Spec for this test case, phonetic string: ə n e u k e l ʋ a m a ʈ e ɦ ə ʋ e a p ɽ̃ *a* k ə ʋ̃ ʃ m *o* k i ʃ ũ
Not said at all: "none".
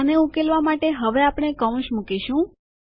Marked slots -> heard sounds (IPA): e, u

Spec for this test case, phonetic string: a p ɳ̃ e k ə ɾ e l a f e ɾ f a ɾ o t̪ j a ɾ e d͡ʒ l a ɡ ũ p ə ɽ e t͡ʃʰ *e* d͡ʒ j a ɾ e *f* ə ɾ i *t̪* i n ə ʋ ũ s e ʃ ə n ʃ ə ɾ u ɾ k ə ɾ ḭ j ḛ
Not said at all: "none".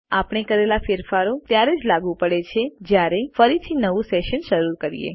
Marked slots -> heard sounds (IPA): e, f, t̪ʰ

